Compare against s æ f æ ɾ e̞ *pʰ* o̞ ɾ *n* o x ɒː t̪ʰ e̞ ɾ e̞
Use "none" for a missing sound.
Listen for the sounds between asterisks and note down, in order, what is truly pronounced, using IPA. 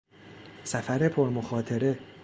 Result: pʰ, m

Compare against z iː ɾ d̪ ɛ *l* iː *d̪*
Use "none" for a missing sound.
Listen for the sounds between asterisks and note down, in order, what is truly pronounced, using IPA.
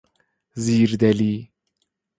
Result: l, none

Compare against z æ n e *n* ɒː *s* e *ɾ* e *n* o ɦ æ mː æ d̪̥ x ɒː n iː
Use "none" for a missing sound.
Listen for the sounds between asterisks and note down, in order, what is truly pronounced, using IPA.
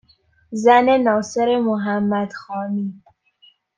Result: n, s, ɾ, m

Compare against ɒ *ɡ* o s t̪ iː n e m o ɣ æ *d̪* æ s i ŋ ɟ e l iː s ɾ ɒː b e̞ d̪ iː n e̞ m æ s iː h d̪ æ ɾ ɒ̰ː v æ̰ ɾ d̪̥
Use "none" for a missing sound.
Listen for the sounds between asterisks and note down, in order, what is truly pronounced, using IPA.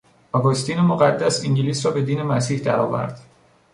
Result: ɡ, d̪ː

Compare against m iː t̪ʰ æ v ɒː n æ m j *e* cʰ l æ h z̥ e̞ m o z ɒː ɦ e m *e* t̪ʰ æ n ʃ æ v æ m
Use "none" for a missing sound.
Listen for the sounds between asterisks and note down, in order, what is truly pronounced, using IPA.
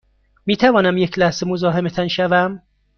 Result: e, e

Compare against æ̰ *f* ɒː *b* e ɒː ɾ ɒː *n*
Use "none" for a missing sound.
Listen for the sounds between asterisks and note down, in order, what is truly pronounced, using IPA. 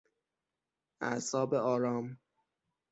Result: s, b, m

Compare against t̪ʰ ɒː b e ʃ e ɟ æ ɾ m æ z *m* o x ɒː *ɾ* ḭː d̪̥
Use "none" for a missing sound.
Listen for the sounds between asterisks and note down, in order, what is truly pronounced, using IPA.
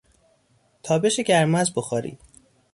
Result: b, ɾ

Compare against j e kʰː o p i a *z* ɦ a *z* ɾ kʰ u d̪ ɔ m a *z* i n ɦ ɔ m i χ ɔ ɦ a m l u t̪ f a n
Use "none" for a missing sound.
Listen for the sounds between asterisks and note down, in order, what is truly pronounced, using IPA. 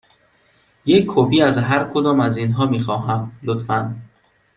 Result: z, none, z

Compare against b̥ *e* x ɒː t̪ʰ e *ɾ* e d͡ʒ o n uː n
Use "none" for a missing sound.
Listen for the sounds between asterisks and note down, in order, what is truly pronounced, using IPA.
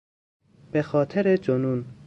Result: e, ɾ

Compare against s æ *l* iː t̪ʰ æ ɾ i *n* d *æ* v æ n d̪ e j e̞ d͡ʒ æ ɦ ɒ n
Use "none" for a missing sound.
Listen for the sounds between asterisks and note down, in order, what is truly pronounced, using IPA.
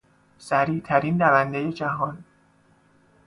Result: ɾ, n, æ

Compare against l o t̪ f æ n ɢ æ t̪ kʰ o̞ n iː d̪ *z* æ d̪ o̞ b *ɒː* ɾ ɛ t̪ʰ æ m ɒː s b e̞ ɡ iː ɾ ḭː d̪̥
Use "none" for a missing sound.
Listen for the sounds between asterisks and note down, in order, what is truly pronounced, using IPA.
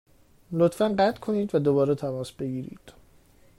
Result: v, ɒː

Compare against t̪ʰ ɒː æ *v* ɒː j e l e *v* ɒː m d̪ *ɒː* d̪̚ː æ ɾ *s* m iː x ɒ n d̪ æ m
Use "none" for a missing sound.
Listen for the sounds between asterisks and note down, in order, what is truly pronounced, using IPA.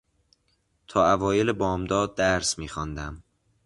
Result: v, b, ɒː, s

